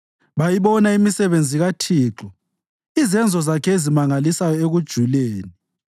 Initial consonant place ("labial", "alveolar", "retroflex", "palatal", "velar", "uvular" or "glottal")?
labial